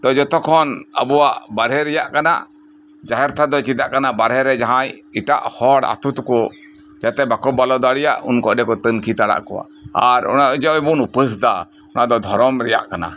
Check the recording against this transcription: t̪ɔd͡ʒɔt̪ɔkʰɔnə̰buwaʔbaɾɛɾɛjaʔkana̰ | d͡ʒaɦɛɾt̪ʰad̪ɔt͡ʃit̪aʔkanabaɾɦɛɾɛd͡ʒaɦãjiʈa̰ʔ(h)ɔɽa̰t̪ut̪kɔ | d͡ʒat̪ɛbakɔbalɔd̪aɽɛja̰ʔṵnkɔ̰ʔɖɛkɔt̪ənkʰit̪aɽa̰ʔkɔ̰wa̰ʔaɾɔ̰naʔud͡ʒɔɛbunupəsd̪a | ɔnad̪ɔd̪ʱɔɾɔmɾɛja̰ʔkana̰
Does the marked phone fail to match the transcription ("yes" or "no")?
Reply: no